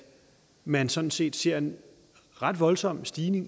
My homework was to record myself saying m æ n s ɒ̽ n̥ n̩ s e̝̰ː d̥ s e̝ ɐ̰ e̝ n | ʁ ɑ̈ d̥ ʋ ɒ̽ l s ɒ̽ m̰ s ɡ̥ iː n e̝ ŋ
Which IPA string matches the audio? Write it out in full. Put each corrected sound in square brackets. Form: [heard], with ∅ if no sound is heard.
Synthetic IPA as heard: m æ n s ɒ̽ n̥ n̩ s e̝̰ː d̥ s e̝ ɐ̰ e̝ n | ʁ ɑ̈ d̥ ʋ ɒ̽ l s ɒ̽ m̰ s [d̥] iː n e̝ ŋ